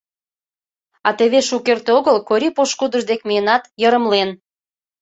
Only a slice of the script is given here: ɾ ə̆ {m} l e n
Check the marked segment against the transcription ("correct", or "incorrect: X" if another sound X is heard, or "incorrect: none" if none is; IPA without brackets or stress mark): correct